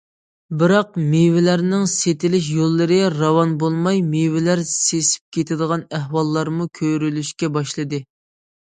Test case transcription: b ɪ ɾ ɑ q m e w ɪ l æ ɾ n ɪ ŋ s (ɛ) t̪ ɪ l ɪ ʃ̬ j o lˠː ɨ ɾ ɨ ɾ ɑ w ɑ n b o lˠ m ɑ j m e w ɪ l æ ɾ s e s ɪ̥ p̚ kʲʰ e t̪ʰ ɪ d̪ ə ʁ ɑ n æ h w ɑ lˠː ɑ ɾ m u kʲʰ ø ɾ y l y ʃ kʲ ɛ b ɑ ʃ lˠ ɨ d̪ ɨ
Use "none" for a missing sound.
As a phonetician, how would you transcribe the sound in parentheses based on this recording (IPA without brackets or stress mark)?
e